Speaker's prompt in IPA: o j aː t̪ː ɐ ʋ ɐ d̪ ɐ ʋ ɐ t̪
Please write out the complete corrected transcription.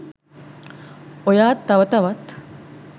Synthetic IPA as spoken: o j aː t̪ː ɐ ʋ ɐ t̪ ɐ ʋ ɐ t̪